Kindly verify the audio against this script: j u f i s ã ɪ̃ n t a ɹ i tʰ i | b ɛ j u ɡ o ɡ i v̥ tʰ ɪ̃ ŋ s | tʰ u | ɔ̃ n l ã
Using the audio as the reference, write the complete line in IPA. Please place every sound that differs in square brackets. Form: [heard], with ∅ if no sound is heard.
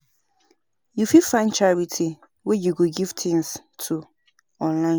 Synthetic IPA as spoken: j u f i [f] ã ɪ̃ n [t͡ʃ] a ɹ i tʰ i | [w] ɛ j u ɡ o ɡ i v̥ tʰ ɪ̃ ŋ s | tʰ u | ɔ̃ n l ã